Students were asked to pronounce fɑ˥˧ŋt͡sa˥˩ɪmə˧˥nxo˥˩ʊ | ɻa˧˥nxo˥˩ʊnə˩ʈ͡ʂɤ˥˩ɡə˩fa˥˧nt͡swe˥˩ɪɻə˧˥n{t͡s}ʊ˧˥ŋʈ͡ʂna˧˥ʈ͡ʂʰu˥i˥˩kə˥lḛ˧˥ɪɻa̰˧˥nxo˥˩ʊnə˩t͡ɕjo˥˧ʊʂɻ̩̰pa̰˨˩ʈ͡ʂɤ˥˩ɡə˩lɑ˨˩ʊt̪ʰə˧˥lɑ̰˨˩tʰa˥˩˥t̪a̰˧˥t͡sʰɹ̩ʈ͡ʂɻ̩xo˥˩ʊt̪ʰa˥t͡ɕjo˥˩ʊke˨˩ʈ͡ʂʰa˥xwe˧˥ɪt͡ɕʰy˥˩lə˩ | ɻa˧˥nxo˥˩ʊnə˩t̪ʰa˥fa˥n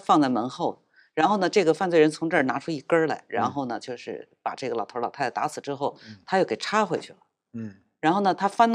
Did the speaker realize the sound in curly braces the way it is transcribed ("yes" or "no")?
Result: no